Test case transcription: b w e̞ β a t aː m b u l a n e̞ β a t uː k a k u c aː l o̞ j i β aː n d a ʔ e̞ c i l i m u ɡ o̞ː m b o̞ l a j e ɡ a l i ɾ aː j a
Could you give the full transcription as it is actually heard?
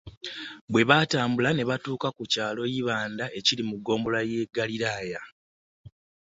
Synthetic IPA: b w e̞ β a t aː m b u l a n e̞ β a t uː k a k u c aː l o̞ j i β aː n d a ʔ e̞ c i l i m u ɡ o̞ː m b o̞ l a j e ɡ a l i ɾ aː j a